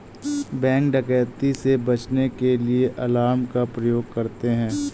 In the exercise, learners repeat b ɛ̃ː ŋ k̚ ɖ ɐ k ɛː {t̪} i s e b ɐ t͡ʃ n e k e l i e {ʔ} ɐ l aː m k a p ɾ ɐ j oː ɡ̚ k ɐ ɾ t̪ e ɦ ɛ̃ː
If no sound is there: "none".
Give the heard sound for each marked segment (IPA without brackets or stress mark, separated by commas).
t̪, ʔ